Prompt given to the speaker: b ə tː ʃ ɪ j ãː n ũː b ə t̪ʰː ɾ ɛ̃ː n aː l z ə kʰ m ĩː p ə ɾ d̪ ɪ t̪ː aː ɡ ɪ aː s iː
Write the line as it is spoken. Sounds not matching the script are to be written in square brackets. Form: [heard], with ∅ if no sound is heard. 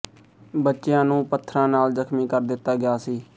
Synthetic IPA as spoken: b ə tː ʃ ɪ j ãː n ũː [p] ə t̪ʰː ɾ [ãː] n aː l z ə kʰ m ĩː [k] ə ɾ d̪ ɪ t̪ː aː ɡ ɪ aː s iː